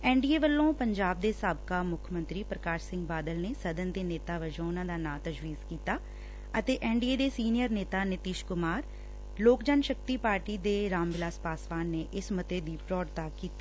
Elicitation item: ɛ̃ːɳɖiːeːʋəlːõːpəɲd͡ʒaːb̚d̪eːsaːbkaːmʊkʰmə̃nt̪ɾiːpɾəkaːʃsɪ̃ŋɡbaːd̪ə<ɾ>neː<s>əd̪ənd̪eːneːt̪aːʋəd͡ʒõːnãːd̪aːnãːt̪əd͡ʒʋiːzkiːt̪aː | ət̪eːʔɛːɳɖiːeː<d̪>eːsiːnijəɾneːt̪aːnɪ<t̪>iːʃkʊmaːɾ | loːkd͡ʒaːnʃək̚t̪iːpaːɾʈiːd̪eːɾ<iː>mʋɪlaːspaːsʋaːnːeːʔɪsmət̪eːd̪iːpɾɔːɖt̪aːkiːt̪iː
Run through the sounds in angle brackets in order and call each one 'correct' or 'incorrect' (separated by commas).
incorrect, correct, correct, correct, incorrect